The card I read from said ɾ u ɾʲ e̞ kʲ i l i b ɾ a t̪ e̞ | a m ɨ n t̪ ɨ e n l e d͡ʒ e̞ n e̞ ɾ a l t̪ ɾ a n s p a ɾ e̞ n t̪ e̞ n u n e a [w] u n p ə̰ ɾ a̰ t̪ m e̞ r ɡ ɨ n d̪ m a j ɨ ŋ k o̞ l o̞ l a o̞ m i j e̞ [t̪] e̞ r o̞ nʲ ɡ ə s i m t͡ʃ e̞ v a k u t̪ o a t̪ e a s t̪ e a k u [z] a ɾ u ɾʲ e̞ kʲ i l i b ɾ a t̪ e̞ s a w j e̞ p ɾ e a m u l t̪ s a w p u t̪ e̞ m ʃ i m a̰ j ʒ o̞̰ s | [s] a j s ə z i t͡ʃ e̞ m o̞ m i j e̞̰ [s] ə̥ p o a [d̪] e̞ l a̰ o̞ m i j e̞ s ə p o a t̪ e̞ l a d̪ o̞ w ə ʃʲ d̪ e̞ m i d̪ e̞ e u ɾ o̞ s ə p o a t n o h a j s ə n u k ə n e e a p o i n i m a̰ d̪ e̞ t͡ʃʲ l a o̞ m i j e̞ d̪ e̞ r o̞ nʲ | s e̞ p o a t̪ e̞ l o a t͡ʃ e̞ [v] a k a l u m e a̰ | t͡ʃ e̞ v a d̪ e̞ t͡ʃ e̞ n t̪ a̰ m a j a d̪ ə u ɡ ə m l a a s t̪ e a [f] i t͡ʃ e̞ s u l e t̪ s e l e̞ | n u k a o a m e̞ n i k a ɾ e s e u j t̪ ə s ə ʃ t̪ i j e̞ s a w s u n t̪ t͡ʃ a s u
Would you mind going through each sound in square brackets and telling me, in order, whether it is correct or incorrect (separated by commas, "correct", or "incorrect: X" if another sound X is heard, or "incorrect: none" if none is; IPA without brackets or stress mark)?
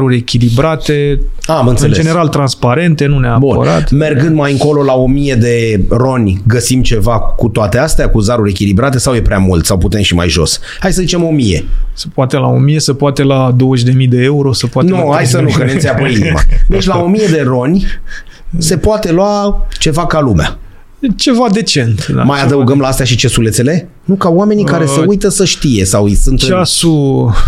incorrect: b, incorrect: d̪, correct, incorrect: h, correct, incorrect: t̪, correct, incorrect: ʃ